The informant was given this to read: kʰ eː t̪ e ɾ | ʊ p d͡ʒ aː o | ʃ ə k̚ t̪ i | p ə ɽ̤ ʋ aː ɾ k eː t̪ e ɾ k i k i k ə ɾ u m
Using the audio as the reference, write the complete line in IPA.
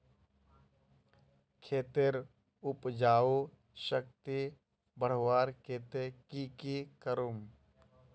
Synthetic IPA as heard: kʰ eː t̪ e ɾ | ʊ p d͡ʒ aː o | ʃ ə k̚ t̪ i | b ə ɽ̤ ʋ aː ɾ k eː t̪ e k i k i k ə ɾ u m